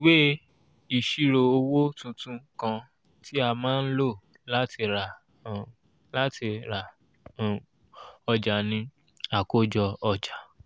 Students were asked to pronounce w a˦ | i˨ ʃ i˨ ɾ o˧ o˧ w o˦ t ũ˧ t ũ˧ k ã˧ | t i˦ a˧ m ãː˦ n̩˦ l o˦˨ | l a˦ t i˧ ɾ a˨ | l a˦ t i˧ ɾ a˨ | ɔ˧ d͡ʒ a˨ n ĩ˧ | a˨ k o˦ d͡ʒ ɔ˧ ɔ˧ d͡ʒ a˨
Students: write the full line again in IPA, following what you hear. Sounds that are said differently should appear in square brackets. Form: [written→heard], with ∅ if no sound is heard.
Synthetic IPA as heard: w [a˦→e˦] | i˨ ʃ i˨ ɾ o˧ o˧ w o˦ t ũ˧ t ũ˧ k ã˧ | t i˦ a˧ m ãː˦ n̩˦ l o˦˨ | l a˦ t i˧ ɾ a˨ | l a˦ t i˧ ɾ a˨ | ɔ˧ d͡ʒ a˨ n ĩ˧ | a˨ k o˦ d͡ʒ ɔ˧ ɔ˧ d͡ʒ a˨

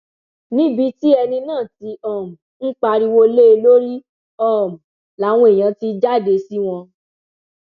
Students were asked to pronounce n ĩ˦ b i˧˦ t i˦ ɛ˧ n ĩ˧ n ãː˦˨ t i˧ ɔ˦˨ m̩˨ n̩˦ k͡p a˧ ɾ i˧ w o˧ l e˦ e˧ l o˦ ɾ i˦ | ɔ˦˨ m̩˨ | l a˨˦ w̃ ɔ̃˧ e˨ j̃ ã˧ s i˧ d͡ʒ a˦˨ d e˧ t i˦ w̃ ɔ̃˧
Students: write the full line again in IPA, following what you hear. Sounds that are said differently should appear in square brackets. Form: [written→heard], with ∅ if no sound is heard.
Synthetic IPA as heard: n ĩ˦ b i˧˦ t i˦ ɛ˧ n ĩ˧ n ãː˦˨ t i˧ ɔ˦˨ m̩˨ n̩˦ k͡p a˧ ɾ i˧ w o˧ l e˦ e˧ l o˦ ɾ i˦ | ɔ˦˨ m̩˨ | l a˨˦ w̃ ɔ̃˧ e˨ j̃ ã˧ [s→t] i˧ d͡ʒ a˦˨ d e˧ [t→s] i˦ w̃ ɔ̃˧

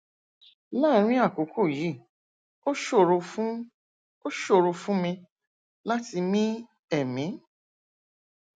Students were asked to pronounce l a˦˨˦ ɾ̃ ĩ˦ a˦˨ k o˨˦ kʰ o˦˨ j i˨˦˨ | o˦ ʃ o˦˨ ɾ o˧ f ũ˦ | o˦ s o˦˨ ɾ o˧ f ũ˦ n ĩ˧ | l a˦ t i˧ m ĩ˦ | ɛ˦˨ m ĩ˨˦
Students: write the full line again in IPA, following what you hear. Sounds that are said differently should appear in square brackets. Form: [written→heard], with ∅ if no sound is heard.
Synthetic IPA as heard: l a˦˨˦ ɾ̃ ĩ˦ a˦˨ k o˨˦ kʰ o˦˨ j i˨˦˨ | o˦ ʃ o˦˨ ɾ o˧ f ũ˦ | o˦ [s→ʃ] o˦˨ ɾ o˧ f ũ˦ [n→m] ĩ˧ | l a˦ t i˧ m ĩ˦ | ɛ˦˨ m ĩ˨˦

